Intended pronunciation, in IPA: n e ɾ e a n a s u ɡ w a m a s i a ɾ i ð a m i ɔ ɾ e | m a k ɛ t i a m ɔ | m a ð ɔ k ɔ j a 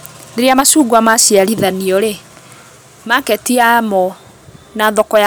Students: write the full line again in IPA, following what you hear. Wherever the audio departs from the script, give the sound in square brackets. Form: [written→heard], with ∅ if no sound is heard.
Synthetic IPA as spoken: n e ɾ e a [n→m] a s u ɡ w a m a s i a ɾ i ð a [m→n] i ɔ ɾ e | m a k ɛ t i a m ɔ | [m→n] a ð ɔ k ɔ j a